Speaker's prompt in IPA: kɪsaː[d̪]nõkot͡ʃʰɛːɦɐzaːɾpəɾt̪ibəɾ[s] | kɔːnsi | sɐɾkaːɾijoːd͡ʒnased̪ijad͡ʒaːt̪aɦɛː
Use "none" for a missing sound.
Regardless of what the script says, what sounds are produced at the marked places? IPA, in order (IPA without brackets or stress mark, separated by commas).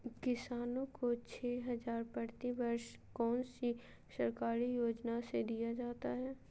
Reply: none, ʃ